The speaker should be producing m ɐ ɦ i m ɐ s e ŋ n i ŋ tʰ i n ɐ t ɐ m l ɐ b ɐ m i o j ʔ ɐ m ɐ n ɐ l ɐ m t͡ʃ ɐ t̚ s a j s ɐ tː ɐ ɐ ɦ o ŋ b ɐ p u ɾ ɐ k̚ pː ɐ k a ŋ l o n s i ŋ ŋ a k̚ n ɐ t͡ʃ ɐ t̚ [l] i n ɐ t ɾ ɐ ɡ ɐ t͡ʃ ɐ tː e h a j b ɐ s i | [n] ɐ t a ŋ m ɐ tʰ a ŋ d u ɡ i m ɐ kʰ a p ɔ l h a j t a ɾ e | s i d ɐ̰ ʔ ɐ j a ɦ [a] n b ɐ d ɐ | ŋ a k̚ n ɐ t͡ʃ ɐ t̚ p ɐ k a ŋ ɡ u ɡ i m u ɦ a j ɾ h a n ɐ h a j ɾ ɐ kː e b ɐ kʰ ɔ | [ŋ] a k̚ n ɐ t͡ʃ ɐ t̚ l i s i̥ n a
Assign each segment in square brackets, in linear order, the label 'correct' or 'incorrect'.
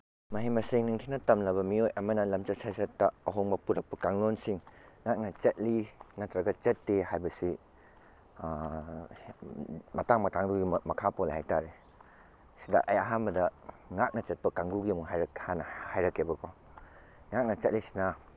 correct, incorrect: m, correct, correct

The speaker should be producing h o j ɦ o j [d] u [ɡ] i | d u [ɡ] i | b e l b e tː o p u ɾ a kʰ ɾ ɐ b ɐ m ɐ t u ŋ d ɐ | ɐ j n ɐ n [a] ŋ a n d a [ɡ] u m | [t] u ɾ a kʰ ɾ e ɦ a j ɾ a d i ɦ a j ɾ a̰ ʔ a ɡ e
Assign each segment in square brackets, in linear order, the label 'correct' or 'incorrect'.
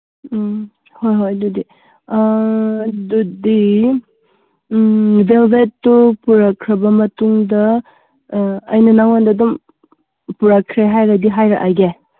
correct, incorrect: d, incorrect: d, correct, incorrect: d, incorrect: p

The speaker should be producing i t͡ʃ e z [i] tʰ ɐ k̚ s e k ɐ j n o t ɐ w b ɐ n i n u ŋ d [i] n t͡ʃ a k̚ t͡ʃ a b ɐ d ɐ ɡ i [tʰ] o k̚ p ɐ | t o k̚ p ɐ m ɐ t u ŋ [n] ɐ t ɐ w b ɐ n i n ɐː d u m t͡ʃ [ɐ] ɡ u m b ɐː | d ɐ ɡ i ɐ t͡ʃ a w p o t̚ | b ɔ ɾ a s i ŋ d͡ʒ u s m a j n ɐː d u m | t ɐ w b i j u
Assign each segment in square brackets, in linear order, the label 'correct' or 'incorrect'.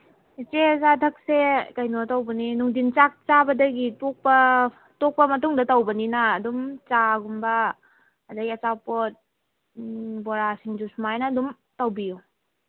incorrect: a, correct, incorrect: t, incorrect: d, incorrect: a

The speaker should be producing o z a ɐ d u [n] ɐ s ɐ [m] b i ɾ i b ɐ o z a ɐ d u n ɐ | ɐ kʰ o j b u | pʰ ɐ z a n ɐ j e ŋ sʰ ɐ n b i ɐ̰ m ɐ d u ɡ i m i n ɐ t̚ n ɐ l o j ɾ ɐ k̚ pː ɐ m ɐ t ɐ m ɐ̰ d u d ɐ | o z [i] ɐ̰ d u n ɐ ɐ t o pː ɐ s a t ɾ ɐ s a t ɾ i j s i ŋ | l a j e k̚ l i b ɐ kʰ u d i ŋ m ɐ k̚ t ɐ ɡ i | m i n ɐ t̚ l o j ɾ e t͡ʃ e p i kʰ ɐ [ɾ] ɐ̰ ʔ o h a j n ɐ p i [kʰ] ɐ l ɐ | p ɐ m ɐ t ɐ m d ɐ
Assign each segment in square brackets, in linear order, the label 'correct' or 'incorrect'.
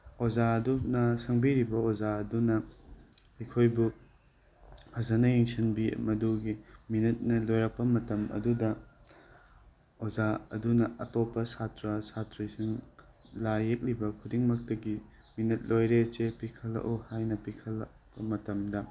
correct, incorrect: ŋ, incorrect: a, incorrect: l, correct

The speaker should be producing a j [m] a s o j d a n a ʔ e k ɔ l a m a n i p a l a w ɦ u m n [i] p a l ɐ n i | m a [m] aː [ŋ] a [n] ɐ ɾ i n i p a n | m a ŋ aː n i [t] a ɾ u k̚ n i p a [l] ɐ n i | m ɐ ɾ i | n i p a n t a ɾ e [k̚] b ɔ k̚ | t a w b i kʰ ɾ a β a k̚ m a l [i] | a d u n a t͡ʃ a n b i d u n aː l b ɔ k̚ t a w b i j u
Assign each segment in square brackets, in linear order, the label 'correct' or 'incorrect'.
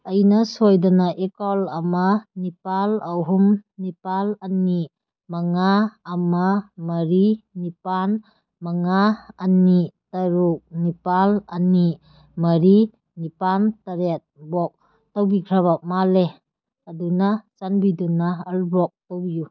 incorrect: n, correct, incorrect: ŋ, incorrect: m, incorrect: m, correct, correct, incorrect: t̚, incorrect: e

